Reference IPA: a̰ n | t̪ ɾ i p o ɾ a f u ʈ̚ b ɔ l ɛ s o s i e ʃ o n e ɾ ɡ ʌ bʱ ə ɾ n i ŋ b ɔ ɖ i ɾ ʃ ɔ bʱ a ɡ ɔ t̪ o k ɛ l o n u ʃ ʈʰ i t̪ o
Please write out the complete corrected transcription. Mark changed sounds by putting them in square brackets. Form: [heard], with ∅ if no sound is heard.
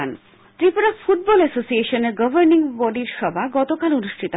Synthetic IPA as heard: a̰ n | t̪ ɾ i p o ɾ a f u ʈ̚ b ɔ l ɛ s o s i e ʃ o n e ɾ ɡ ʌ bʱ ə ɾ n i ŋ b ɔ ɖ i ɾ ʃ ɔ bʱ a ɡ ɔ t̪ o k [a] l o n u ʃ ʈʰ i t̪ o

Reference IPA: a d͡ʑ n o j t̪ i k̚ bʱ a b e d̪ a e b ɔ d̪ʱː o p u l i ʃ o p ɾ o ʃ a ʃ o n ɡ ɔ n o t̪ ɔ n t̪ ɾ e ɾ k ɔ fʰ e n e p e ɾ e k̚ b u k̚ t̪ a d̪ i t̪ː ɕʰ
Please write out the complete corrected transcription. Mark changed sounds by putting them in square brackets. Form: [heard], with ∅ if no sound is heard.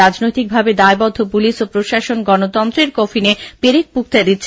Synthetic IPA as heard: a d͡ʑ n o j t̪ i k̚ bʱ a b e d̪ a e b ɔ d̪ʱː o p u l i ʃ o p ɾ o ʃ a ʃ o n ɡ ɔ n o t̪ ɔ n t̪ ɾ e ɾ k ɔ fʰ [i] n e p e ɾ e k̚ [p] u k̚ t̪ a d̪ i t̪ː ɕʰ

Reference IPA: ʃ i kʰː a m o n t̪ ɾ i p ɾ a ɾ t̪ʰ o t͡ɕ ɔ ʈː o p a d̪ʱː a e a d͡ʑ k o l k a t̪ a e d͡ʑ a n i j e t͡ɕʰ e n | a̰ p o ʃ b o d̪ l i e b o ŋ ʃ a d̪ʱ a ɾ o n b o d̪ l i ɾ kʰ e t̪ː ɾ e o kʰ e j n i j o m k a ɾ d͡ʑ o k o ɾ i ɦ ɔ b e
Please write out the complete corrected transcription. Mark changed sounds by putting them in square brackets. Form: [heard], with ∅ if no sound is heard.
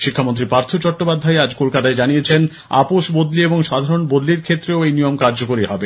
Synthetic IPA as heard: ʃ i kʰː a m o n t̪ ɾ i p ɾ a ɾ t̪ʰ o t͡ɕ ɔ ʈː o p a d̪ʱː a e a d͡ʑ k o l k a t̪ a e d͡ʑ a n i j e t͡ɕʰ e n | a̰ p o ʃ b o d̪ l i e b o ŋ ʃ a d̪ʱ a ɾ o n b o d̪ l i ɾ kʰ e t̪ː ɾ e o [∅] e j n i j o m k a ɾ d͡ʑ o k o ɾ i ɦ ɔ b e

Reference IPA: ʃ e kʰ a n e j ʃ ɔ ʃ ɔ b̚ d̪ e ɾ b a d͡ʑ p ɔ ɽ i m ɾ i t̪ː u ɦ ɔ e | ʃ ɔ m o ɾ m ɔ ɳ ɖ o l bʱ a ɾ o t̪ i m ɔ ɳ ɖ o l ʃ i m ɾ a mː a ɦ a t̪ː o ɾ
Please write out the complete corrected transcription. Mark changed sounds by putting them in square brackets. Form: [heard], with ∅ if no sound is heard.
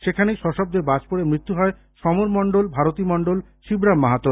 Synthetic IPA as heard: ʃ e kʰ a n e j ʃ ɔ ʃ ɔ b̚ d̪ e ɾ b a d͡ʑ p [o] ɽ [e] m ɾ i t̪ː u ɦ ɔ e | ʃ ɔ m o ɾ m ɔ ɳ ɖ o l bʱ a ɾ o t̪ i m ɔ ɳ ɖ o l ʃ i [b] ɾ a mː a ɦ a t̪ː o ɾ

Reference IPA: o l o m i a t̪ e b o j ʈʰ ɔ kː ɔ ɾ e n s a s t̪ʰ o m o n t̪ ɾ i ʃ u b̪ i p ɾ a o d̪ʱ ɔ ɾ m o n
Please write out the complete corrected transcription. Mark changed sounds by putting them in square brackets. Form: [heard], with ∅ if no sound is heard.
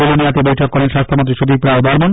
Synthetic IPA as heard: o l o [n] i a t̪ e b o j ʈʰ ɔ kː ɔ ɾ e n [ʃ] a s t̪ʰ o m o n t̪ ɾ i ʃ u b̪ i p ɾ a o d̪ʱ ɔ ɾ m o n

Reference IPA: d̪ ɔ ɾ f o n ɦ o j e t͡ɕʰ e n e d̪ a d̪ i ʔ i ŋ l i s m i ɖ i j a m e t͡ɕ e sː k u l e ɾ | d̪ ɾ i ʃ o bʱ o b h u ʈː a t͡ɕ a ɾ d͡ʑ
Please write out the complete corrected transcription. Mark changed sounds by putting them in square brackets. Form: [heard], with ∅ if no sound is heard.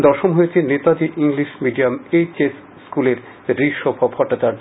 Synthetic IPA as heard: d̪ ɔ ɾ [ʃ] o [m] ɦ o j e t͡ɕʰ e n e [t̪] a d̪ i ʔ i ŋ l i [ʃ] m i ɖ i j a m e t͡ɕ e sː k u l e ɾ | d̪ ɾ i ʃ o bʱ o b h [ɔ] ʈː a t͡ɕ a ɾ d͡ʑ

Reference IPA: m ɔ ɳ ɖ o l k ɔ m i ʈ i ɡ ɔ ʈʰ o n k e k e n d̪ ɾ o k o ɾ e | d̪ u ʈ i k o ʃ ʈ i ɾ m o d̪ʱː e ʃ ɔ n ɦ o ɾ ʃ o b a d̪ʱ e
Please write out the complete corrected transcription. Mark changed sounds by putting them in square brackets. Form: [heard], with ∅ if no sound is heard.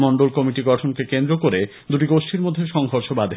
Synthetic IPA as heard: m ɔ ɳ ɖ o l k ɔ m i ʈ i ɡ ɔ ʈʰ o n k e k e n d̪ ɾ o k o ɾ e | d̪ u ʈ i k o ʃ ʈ i ɾ m o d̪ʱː e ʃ ɔ [ŋ] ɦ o ɾ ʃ o b a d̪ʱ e

